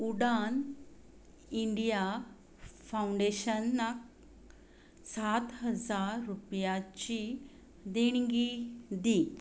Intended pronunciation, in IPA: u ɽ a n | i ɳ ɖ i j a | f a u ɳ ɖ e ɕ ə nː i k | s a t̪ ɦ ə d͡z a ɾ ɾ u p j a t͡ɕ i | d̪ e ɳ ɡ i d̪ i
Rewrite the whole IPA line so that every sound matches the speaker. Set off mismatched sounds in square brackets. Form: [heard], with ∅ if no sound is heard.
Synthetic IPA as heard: u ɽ a n | i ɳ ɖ i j a | f a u ɳ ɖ e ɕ ə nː [a] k | s a t̪ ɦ ə d͡z a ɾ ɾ u p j a t͡ɕ i | d̪ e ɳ ɡ i d̪ i